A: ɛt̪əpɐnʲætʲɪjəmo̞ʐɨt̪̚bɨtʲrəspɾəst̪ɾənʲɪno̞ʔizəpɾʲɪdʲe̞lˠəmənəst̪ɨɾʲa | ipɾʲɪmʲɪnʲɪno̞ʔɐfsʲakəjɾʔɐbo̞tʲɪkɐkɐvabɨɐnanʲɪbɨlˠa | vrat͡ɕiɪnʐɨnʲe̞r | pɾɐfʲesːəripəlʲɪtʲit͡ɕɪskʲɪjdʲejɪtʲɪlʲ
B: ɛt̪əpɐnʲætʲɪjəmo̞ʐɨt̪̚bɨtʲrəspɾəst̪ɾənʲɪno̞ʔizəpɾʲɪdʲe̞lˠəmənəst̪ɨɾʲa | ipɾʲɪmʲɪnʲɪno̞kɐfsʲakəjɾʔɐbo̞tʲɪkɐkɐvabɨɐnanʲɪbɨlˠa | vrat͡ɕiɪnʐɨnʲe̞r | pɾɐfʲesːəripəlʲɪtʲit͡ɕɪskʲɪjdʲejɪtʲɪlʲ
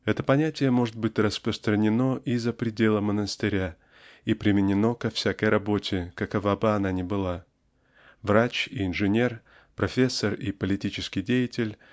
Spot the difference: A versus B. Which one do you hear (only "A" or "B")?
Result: B